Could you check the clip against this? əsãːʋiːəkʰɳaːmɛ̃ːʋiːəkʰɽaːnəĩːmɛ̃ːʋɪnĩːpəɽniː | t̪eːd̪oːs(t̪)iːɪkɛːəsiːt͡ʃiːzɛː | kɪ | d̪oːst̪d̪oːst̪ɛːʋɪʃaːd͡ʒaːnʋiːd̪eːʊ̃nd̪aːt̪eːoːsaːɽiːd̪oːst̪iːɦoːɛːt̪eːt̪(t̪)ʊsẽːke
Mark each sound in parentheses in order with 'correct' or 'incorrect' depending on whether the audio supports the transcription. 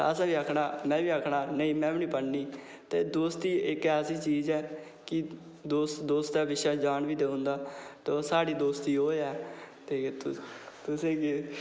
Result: correct, correct

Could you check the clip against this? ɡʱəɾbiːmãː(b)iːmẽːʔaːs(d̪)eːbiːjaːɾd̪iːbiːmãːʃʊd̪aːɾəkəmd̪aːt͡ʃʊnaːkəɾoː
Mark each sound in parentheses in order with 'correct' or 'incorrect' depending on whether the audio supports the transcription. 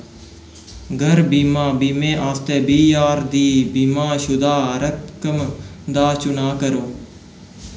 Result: correct, incorrect

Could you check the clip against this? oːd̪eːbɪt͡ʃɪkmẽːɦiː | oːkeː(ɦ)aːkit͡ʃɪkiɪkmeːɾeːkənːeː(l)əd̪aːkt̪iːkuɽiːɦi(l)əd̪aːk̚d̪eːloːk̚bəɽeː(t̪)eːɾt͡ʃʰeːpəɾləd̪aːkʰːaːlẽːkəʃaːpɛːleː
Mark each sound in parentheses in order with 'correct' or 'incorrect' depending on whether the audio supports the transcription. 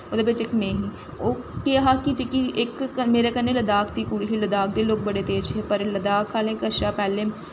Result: correct, correct, correct, correct

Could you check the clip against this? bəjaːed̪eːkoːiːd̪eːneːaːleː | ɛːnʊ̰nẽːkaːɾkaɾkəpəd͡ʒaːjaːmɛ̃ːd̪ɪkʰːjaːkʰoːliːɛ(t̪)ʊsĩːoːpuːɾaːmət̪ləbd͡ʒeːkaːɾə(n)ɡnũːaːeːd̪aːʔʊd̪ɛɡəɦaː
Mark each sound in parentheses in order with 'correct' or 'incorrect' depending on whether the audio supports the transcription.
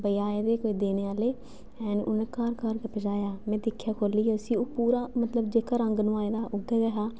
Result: incorrect, incorrect

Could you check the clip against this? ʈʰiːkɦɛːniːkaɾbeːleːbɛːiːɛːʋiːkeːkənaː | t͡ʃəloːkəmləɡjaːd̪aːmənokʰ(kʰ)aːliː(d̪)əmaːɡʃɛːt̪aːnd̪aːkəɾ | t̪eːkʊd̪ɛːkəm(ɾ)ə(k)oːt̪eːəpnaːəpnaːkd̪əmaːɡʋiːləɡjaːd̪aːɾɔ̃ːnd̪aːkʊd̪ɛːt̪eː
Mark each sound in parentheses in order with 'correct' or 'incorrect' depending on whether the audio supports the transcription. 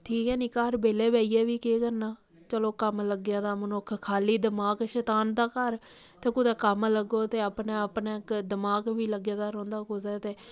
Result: correct, correct, incorrect, incorrect

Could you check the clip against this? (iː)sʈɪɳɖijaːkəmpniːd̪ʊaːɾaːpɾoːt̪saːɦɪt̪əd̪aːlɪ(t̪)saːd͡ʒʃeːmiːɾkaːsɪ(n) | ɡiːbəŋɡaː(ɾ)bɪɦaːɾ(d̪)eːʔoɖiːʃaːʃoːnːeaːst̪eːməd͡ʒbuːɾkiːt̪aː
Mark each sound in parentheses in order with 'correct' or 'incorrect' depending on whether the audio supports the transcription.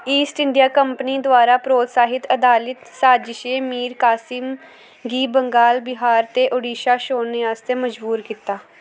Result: correct, correct, incorrect, incorrect, incorrect

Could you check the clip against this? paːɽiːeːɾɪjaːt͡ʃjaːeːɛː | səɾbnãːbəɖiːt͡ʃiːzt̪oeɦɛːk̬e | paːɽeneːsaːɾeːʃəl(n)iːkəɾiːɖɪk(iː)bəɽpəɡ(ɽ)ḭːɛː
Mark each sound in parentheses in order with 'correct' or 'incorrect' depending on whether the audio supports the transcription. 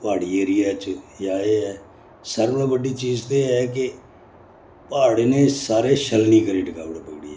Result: correct, incorrect, correct

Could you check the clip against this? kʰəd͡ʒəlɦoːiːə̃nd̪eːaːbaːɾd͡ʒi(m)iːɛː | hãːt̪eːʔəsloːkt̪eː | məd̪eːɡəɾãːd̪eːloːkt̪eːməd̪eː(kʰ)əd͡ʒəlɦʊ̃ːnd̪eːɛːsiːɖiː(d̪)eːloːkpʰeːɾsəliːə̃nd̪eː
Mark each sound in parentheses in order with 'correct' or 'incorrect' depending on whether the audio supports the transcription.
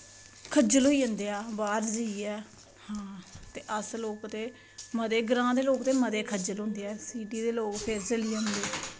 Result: incorrect, correct, correct

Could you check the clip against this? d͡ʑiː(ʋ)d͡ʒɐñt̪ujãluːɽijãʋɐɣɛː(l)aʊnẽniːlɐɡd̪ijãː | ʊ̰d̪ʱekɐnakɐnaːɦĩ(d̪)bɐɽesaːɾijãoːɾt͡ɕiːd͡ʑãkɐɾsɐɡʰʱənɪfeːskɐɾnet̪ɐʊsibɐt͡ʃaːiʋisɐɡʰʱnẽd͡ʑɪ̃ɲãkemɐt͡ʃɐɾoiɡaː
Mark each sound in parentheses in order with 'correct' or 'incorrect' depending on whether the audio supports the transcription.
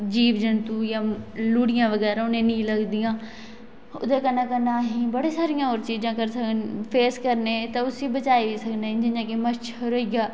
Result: correct, incorrect, incorrect

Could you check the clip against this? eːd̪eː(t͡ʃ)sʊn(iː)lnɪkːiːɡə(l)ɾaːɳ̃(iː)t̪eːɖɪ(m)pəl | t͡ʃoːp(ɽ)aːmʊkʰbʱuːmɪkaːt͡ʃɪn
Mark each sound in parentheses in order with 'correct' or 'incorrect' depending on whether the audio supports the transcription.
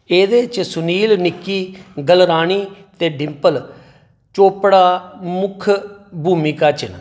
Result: correct, correct, correct, correct, correct, correct

